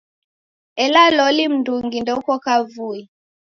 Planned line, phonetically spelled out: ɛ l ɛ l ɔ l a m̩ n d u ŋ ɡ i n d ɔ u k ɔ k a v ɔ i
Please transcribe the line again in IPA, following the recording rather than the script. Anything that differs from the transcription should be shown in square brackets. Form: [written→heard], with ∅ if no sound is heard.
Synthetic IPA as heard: ɛ l [ɛ→a] l ɔ l [a→i] m̩ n d u ŋ ɡ i n d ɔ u k ɔ k a v [ɔ→u] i